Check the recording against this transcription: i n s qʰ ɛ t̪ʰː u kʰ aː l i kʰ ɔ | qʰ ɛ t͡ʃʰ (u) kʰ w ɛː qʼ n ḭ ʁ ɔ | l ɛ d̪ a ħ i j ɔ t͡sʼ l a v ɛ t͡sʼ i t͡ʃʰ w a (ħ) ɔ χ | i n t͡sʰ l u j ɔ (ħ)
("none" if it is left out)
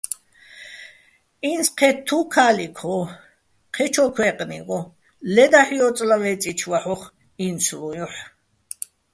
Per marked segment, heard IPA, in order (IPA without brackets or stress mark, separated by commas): ɔ, ħ, ħ